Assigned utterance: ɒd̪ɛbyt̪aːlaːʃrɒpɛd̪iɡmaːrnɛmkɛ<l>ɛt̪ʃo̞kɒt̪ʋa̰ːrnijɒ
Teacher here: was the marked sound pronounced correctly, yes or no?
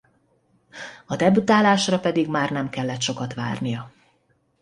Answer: no